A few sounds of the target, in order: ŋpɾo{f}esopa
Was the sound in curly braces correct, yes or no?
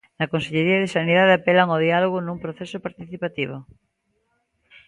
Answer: no